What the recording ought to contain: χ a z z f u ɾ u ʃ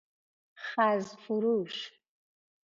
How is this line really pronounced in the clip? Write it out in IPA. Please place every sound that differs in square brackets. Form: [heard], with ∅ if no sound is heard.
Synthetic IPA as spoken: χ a z z f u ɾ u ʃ